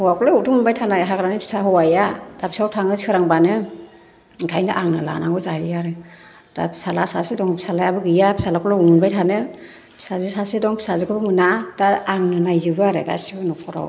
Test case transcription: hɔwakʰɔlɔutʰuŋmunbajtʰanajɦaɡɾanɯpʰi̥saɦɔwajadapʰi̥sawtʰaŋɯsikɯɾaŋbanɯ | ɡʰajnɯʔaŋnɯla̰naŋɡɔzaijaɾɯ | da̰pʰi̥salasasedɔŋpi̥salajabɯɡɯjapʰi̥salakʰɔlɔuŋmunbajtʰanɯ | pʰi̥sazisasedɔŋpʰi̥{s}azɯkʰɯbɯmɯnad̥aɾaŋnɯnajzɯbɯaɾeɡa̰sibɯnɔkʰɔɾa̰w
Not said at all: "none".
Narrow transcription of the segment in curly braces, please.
s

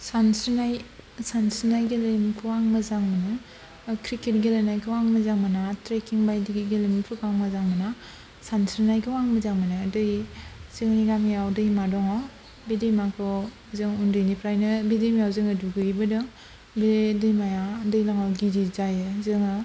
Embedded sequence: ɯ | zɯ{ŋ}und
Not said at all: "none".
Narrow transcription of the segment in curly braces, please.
ŋ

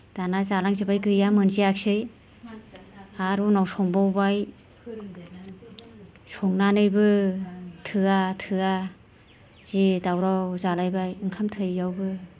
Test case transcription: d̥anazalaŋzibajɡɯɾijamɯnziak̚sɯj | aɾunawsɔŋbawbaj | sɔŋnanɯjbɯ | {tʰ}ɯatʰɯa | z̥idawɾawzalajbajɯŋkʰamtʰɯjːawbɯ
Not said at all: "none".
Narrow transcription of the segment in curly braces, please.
tʰ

